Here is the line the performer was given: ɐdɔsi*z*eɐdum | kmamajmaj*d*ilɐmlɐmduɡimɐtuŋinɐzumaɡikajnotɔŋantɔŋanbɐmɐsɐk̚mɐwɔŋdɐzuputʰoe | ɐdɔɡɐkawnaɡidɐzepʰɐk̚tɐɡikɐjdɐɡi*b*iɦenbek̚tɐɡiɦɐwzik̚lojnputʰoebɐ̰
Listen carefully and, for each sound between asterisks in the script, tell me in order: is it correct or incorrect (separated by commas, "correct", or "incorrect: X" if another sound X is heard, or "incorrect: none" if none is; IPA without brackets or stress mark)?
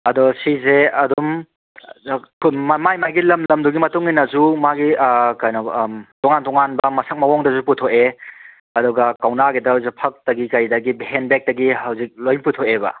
correct, incorrect: ɡ, correct